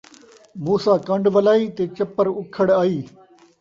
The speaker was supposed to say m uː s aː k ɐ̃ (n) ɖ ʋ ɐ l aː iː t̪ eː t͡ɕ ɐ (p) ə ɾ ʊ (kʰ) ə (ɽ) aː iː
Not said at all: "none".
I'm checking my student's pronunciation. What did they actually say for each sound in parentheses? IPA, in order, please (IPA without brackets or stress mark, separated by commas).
ɳ, p, kʰ, ɽ